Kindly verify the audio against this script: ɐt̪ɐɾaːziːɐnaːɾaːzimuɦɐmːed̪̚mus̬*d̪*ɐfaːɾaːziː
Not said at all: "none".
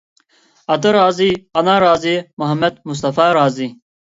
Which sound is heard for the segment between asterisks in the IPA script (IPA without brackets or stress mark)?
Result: t̪